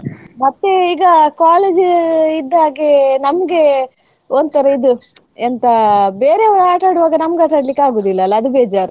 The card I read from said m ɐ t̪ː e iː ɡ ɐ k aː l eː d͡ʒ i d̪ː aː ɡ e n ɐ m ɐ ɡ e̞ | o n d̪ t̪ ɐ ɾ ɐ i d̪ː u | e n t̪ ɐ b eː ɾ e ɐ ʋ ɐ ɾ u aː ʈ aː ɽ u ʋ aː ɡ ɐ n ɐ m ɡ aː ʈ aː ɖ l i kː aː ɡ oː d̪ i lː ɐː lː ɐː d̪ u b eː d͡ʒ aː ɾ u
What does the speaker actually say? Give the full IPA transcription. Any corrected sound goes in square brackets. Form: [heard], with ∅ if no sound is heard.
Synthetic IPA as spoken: m ɐ t̪ː e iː ɡ ɐ k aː l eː d͡ʒ i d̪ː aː ɡ e n ɐ m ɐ ɡ e̞ | o n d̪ t̪ ɐ ɾ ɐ i [d̪] u | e n t̪ ɐ b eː ɾ e ɐ ʋ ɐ ɾ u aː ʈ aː ɽ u ʋ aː ɡ ɐ n ɐ m ɡ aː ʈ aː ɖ l i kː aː ɡ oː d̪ i lː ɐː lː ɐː d̪ u b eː d͡ʒ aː ɾ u